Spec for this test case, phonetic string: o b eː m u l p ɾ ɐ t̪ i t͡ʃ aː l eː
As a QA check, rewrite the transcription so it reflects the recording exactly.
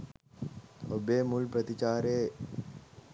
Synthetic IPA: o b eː m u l p ɾ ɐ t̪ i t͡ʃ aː ɾ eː

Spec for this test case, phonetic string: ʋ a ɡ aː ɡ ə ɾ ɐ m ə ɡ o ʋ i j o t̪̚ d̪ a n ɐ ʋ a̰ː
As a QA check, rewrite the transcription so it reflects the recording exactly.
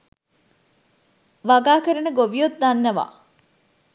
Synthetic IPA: ʋ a ɡ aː k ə ɾ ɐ n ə ɡ o ʋ i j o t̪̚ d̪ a nː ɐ ʋ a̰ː

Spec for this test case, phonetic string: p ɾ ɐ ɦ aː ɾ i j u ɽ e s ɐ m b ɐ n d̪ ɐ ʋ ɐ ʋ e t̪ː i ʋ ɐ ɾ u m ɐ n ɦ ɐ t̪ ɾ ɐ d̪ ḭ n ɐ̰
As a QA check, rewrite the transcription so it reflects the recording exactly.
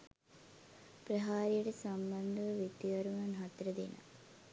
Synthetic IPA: p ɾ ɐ ɦ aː ɾ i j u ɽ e s ɐ m b ɐ n d̪ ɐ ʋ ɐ ʋ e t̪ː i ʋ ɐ ɾ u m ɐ n ɦ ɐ t̪ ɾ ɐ d̪ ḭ n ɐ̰

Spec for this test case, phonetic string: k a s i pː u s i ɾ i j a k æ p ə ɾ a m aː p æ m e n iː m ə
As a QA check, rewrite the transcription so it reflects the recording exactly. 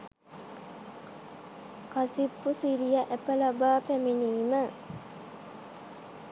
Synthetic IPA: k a s i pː u s i ɾ i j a ʔ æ p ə l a b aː p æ m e n iː m ə

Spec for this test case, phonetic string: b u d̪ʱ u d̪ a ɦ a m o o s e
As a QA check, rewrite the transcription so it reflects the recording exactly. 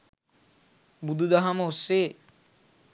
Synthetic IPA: b u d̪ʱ u d̪ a ɦ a m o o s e

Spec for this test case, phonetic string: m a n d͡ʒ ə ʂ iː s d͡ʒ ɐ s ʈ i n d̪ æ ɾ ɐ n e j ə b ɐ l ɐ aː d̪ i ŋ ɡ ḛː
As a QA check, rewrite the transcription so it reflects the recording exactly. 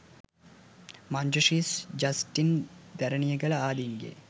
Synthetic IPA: m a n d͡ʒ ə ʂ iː s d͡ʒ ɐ s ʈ i n d̪ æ ɾ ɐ n i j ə ɡ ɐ l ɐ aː d̪ i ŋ ɡ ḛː

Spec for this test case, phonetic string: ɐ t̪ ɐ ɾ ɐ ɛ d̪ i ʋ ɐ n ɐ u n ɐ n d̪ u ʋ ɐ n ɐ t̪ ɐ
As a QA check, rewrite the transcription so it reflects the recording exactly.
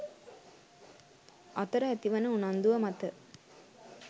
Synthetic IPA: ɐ t̪ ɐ ɾ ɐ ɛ t̪ i ʋ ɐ n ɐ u n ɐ n d̪ u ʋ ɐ m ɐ t̪ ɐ

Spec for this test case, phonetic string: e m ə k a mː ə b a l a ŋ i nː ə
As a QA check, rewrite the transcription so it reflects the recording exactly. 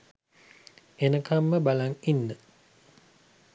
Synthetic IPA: e n ə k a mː ə b a l a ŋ i nː ə

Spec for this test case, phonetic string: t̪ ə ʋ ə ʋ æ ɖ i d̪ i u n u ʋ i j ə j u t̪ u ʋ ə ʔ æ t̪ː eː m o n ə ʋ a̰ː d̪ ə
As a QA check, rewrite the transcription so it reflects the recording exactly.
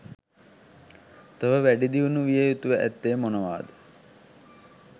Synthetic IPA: t̪ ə ʋ ə ʋ æ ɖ i d̪ i u n u ʋ i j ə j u t̪ u ʋ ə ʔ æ t̪ː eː m o n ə ʋ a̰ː d̪ ə

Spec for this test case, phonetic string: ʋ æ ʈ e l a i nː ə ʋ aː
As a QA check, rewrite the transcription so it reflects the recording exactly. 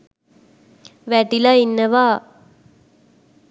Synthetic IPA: ʋ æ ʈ i l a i nː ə ʋ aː

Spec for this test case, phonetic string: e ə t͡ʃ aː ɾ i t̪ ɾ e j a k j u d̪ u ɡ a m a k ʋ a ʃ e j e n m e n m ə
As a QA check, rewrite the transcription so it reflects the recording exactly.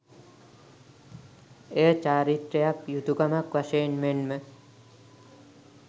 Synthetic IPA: e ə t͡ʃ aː ɾ i t̪ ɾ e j a k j u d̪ u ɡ a m a k ʋ a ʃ e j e n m e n m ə

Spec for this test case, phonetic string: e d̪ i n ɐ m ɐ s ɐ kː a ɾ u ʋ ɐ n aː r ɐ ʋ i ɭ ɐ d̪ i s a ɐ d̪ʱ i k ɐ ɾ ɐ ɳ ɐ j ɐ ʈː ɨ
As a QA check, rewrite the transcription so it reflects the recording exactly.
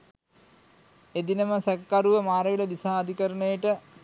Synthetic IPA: e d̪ i n ɐ m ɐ s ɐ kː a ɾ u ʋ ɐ m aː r ɐ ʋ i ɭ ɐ d̪ i s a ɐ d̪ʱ i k ɐ ɾ ɐ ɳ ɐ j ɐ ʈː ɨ

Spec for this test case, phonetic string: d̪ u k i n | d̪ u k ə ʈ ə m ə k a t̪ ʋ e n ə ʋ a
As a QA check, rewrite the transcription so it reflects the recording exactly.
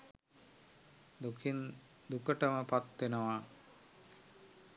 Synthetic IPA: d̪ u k i n | d̪ u k ə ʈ ə m ə p a t̪ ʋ e n ə ʋ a

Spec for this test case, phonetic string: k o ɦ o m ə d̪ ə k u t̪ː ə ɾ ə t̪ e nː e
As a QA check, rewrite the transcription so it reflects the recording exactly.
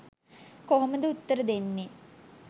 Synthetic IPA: k o ɦ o m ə d̪ ə u t̪ː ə ɾ ə d̪ e nː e

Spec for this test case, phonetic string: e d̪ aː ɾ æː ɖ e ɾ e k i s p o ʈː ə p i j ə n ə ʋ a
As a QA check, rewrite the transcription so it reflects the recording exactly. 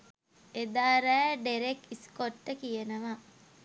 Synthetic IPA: e d̪ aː ɾ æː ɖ e ɾ e k i s k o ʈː ə k i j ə n ə ʋ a

